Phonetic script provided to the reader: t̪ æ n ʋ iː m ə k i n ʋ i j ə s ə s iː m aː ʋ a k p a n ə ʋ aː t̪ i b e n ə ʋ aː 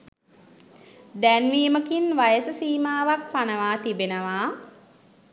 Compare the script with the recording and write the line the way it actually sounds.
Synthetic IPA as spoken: d̪ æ n ʋ iː m ə k i n ʋ a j ə s ə s iː m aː ʋ a k p a n ə ʋ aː t̪ i b e n ə ʋ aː